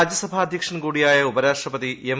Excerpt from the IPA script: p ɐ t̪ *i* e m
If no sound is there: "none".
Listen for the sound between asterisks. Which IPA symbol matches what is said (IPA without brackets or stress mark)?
i